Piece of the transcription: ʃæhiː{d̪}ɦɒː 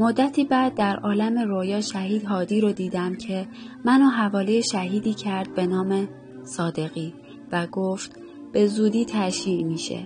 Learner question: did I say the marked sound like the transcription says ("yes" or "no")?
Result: yes